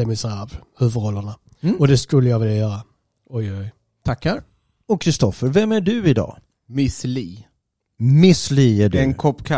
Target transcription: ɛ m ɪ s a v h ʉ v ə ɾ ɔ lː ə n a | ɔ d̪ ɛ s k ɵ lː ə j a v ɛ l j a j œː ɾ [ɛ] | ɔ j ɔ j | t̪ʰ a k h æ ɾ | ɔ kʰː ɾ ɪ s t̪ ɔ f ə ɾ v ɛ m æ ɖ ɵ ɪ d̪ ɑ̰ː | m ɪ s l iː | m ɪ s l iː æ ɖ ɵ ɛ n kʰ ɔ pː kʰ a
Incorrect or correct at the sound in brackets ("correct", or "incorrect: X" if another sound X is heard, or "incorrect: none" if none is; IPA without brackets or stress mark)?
incorrect: a